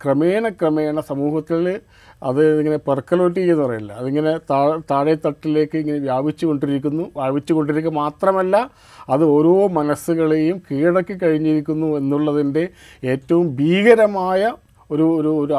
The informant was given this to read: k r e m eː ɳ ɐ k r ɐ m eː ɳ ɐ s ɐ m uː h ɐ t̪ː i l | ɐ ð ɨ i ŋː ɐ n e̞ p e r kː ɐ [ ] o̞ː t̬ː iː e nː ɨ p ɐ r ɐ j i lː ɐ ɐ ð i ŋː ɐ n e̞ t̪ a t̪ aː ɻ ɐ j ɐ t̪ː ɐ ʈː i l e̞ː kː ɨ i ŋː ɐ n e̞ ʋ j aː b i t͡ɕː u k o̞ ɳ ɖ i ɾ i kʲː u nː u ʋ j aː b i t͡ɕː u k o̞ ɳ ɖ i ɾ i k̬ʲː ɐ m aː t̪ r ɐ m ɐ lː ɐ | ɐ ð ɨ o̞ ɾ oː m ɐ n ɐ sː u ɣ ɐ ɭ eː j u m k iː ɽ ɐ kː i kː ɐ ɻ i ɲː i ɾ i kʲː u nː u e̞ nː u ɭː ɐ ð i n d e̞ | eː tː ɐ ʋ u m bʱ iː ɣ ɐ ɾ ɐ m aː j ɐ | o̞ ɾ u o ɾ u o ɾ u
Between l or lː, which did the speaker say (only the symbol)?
l